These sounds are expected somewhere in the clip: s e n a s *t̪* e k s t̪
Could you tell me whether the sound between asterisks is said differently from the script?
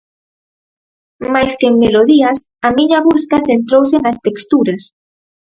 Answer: no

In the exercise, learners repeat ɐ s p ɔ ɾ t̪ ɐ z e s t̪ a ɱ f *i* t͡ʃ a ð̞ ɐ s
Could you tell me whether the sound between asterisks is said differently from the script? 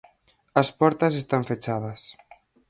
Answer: yes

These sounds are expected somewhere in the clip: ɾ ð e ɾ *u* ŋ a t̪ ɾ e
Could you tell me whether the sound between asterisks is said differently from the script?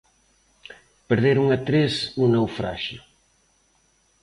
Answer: no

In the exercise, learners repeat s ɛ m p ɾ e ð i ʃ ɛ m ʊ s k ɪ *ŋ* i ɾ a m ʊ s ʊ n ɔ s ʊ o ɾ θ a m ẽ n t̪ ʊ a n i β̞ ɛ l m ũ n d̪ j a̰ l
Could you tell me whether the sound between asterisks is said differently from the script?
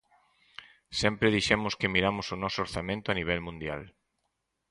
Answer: yes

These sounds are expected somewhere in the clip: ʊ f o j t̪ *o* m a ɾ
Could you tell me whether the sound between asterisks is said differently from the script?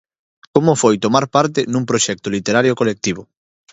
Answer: no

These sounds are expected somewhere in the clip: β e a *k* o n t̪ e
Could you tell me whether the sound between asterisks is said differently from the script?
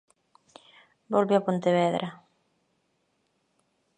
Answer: yes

